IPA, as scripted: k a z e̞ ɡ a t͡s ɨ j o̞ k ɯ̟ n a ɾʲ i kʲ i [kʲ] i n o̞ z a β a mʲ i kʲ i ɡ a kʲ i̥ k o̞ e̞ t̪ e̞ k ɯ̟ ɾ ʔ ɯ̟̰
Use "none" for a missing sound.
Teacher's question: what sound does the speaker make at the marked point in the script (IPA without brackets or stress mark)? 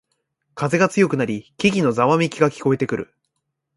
ɡʲ